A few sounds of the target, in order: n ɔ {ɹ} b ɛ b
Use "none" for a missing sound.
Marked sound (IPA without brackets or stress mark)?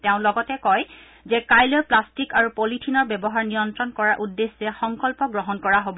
ɹ